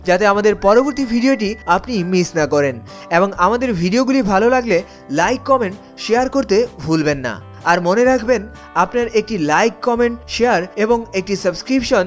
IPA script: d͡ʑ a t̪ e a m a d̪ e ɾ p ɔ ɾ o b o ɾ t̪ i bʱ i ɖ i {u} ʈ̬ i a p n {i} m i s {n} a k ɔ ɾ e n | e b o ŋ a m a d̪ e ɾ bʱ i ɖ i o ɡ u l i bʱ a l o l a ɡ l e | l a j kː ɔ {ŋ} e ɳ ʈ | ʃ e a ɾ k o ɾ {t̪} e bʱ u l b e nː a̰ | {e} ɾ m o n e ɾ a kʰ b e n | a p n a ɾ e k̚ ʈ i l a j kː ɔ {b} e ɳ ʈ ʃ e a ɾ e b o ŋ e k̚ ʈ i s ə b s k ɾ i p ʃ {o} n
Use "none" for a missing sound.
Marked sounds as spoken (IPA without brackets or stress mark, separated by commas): o, i, n, m, t̪, a, m, o